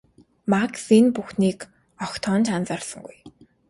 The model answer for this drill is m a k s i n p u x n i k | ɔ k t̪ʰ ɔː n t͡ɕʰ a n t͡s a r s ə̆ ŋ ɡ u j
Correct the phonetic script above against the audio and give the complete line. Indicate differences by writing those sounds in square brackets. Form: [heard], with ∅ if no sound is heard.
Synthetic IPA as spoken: m a k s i n p u x n [iː] k | ɔ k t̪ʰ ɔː n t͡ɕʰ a n t͡s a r s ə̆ ŋ ɡ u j